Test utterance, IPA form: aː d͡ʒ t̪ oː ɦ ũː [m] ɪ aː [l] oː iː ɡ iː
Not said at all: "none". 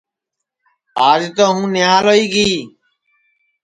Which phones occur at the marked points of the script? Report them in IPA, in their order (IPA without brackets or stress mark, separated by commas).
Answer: n, l